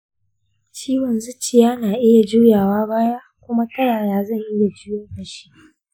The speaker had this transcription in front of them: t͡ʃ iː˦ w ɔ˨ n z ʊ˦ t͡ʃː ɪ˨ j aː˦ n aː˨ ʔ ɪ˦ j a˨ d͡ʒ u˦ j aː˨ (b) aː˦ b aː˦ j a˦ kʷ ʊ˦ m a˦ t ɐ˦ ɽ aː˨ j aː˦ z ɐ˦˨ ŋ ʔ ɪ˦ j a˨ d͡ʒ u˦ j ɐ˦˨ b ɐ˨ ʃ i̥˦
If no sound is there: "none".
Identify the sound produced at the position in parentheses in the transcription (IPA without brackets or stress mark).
w